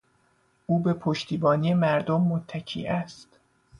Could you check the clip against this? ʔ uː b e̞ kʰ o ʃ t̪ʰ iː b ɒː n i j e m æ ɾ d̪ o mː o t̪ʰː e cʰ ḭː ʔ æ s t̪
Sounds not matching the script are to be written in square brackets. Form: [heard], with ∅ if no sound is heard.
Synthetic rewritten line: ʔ uː b e̞ [pʰ] o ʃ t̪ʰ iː b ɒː n i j e m æ ɾ d̪ o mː o t̪ʰː [æ] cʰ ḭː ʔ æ s t̪

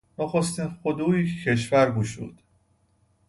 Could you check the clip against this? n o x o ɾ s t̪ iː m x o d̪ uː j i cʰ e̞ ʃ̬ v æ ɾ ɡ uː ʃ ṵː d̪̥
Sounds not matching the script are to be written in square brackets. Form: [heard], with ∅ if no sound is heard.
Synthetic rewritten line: n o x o [∅] s t̪ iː [n] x o d̪ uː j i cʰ e̞ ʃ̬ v æ ɾ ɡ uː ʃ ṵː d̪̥

